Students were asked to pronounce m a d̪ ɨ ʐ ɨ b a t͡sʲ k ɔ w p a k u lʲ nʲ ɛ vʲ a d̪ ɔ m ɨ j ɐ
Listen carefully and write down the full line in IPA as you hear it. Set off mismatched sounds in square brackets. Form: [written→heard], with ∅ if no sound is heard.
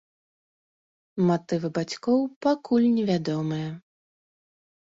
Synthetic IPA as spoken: m a [d̪→t̪] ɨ [ʐ→v] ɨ b a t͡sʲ k ɔ w p a k u lʲ nʲ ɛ vʲ a d̪ ɔ m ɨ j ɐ